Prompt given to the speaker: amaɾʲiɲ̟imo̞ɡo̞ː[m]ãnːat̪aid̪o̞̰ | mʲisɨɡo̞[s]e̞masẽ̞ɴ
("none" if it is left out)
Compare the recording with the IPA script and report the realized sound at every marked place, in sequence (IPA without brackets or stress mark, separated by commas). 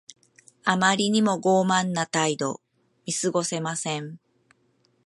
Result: m, s